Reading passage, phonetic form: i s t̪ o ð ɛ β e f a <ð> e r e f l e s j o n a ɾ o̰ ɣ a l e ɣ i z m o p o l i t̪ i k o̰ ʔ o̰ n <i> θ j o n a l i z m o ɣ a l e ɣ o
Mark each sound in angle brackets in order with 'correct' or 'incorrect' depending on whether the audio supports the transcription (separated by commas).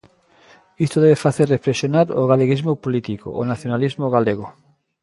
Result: incorrect, incorrect